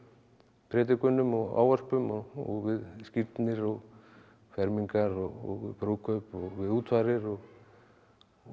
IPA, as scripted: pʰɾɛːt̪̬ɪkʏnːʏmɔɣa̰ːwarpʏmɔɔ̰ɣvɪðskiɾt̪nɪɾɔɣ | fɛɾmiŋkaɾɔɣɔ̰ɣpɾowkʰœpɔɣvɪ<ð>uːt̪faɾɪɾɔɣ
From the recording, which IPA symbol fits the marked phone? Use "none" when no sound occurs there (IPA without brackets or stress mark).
ð